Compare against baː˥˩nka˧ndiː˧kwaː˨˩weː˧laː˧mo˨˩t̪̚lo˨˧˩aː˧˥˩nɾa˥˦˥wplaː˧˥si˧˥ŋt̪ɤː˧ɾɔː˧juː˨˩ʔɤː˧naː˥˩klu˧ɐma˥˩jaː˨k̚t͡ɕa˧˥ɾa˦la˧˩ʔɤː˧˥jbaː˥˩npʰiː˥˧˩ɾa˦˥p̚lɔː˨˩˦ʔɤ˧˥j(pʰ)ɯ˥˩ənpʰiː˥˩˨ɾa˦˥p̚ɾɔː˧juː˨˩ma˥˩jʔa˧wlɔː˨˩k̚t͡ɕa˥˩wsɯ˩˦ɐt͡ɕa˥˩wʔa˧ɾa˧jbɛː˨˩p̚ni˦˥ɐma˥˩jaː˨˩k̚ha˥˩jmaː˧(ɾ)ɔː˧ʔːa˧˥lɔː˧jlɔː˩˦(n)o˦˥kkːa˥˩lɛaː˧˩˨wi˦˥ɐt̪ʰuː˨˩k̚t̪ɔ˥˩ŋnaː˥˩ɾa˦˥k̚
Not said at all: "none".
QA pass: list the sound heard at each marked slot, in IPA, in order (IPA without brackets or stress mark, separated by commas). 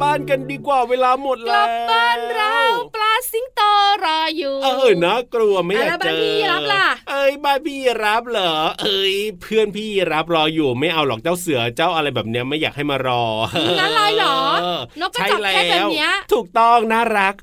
pʰ, ɾ, n